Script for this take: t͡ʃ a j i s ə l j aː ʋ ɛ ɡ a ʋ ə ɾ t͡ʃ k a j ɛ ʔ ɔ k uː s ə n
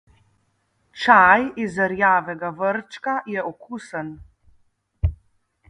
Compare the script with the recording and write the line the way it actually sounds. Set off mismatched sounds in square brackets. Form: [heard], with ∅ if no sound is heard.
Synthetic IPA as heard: t͡ʃ a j i [z] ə [ɾ] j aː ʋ ɛ ɡ a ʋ ə ɾ t͡ʃ k a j ɛ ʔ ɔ k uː s ə n